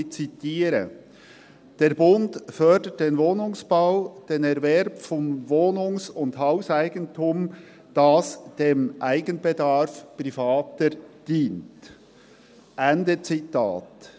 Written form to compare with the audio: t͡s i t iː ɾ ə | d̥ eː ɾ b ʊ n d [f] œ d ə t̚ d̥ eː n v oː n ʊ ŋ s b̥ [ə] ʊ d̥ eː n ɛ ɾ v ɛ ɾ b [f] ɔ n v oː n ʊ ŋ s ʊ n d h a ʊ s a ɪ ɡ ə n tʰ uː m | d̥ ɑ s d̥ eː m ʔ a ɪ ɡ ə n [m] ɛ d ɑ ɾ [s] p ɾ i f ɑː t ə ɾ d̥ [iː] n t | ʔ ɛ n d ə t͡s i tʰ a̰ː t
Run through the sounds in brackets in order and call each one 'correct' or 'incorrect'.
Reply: correct, incorrect: a, correct, incorrect: b, incorrect: f, correct

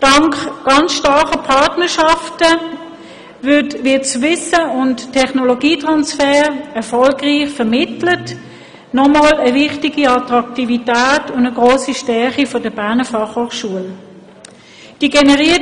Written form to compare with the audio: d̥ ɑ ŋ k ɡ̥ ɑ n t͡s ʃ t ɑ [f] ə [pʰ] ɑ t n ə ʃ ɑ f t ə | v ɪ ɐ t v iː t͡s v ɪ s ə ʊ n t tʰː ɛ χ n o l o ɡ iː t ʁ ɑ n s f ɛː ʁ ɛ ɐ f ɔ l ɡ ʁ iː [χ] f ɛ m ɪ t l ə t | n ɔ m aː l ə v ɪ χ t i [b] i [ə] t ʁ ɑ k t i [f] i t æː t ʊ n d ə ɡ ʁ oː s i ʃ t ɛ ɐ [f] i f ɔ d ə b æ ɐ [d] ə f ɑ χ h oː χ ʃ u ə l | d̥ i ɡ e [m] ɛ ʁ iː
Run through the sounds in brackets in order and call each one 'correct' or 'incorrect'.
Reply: incorrect: χ, correct, correct, incorrect: ɡ, incorrect: ɑ, incorrect: v, incorrect: χ, incorrect: n, incorrect: n

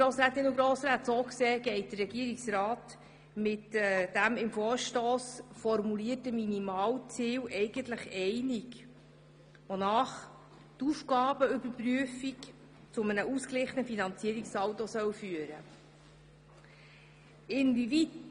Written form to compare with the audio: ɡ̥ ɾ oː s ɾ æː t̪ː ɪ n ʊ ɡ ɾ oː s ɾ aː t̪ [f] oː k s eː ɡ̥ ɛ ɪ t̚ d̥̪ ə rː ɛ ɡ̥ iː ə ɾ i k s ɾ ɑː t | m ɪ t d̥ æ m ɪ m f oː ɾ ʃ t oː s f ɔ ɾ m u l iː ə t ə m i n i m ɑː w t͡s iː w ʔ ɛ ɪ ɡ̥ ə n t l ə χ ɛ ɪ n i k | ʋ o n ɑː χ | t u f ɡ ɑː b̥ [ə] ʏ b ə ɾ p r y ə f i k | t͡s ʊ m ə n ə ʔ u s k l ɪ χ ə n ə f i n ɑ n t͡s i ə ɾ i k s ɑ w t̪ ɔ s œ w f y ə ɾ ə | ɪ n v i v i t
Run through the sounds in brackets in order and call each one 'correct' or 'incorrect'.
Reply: incorrect: s, correct

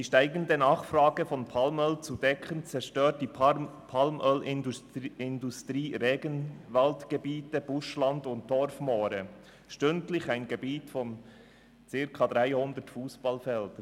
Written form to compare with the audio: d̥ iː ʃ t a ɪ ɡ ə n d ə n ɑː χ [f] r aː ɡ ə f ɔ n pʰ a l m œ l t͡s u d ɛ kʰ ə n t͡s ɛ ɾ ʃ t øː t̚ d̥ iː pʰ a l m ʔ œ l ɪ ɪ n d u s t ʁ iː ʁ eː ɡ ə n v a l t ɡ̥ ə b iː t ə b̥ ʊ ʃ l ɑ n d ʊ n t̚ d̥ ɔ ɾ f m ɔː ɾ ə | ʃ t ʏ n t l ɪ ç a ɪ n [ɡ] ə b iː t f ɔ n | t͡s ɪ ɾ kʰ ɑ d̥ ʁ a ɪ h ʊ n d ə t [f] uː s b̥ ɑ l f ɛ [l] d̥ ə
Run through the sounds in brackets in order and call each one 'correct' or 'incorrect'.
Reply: correct, correct, correct, correct

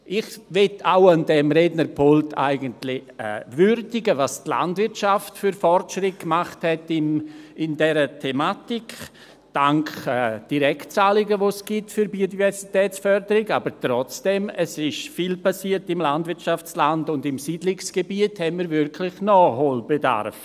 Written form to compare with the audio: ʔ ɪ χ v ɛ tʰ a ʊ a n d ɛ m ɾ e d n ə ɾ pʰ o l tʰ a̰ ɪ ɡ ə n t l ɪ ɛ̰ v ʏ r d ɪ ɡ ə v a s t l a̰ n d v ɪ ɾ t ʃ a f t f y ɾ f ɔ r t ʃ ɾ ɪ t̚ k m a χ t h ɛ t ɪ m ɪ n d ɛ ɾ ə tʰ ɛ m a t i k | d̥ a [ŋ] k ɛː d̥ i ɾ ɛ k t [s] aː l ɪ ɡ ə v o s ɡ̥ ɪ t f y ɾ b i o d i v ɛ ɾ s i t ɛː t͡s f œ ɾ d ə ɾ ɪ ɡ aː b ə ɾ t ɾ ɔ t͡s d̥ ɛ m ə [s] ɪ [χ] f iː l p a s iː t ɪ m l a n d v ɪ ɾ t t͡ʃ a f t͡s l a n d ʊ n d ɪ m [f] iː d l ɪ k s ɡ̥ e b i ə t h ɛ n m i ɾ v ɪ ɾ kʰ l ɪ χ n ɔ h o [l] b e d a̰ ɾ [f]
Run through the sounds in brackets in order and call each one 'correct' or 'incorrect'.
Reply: correct, incorrect: t͡s, correct, incorrect: ʃ, incorrect: s, correct, correct

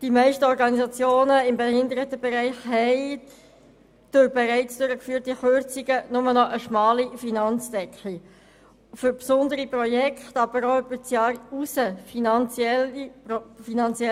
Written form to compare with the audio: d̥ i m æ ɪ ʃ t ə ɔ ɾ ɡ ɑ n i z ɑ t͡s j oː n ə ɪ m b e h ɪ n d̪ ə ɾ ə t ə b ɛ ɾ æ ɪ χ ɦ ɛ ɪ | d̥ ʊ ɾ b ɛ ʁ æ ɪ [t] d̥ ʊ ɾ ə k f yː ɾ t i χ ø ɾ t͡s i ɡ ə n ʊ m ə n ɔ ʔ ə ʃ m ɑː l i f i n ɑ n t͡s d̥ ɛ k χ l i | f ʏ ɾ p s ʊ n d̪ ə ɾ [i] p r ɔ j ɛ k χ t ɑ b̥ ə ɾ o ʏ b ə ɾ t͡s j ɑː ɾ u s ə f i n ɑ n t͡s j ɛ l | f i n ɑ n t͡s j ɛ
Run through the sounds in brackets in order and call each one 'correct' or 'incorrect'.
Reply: incorrect: t͡s, correct

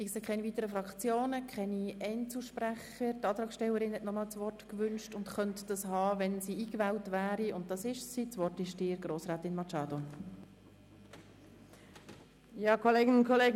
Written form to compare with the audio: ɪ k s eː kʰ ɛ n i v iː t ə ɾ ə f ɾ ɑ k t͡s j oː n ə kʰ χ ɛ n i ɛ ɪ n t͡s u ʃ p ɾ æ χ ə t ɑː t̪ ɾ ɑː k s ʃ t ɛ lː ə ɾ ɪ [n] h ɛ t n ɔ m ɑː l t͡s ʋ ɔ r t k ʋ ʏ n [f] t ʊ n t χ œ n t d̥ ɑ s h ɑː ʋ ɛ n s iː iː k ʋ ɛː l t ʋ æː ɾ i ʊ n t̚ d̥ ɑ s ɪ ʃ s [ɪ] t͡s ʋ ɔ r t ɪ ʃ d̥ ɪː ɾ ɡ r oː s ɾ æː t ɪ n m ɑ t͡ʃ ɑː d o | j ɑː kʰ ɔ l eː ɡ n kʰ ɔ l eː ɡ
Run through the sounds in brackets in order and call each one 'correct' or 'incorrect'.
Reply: correct, incorrect: ʃ, incorrect: i

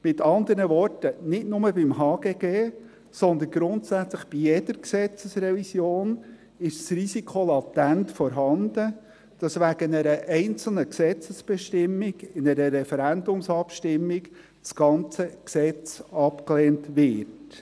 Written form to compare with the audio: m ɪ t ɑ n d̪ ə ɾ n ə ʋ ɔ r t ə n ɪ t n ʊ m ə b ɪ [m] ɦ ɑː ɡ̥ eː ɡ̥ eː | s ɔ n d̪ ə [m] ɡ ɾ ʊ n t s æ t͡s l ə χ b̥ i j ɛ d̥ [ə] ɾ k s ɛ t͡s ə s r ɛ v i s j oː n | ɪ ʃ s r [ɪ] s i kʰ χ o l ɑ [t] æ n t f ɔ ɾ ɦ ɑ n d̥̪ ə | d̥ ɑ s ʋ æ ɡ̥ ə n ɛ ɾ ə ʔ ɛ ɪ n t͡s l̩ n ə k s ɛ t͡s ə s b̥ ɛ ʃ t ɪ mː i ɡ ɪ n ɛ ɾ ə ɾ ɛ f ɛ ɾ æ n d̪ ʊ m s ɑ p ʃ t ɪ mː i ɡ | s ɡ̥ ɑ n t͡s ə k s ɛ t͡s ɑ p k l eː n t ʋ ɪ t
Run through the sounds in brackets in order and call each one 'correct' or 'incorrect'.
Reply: correct, incorrect: n, correct, incorrect: i, correct

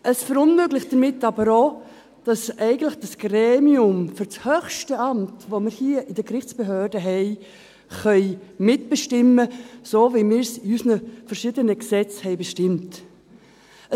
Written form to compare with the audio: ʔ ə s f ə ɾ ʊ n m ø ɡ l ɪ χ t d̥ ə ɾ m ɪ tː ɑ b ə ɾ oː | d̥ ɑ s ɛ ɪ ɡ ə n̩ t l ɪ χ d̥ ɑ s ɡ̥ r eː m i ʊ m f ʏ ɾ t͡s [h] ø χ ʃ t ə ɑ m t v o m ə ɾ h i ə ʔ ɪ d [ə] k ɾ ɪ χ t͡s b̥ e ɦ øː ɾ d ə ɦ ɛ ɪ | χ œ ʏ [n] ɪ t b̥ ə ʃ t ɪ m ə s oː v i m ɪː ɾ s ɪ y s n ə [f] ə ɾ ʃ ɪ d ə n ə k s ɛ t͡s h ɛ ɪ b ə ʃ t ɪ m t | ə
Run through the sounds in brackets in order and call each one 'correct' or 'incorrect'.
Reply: correct, correct, incorrect: m, correct

